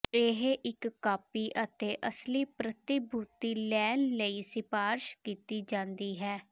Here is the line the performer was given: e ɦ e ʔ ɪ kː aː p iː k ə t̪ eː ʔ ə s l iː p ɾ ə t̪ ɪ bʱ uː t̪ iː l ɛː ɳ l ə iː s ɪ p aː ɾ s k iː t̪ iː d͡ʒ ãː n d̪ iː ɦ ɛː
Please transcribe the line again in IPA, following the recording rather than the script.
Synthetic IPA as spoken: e ɦ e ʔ ɪ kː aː p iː ʔ ə t̪ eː ʔ ə s l iː p ɾ ə t̪ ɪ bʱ uː t̪ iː l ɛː n l ə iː s ɪ p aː ɾ ʃ k iː t̪ iː d͡ʒ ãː n d̪ iː ɦ ɛː